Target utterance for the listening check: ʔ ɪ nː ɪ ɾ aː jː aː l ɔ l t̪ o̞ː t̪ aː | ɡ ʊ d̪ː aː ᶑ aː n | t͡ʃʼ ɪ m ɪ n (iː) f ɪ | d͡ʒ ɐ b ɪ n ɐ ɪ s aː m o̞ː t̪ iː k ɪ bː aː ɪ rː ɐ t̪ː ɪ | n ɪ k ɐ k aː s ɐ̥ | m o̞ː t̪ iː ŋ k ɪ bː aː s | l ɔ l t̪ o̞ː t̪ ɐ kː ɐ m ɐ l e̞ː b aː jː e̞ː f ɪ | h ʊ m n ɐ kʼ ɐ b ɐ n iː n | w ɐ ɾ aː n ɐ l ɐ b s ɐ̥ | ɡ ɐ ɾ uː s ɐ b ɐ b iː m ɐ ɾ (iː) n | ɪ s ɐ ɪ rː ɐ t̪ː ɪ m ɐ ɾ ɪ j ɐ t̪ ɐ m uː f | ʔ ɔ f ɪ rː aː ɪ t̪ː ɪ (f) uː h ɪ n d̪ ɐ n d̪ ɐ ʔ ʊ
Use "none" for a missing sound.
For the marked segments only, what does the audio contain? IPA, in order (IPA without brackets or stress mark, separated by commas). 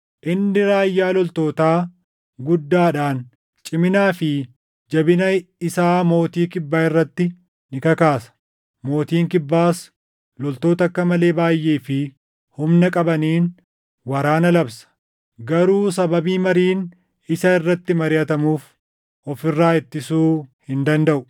aː, iː, s